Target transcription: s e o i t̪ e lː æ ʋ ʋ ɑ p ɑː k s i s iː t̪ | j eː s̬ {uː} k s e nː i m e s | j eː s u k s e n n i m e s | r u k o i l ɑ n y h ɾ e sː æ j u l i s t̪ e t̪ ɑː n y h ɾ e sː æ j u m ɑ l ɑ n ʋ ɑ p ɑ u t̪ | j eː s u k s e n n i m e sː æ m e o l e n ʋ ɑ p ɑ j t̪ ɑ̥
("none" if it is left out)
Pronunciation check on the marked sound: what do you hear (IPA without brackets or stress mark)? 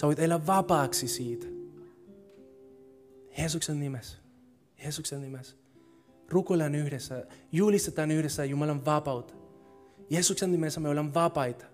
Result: u